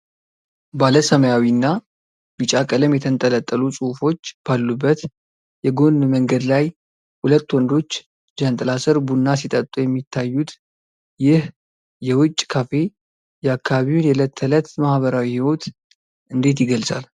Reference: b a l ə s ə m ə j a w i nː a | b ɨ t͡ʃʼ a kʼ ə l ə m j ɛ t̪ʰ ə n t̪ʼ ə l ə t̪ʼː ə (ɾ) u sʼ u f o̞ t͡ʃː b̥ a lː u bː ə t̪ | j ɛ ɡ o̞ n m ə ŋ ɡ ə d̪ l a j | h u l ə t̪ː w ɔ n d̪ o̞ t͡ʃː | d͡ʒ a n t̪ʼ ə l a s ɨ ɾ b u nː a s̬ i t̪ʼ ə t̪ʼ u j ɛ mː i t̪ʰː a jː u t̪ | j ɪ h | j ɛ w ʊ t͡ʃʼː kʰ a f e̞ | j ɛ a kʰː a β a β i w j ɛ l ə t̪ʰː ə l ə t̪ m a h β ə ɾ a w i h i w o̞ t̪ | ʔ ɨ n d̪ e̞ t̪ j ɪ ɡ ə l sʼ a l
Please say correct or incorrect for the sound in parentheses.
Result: incorrect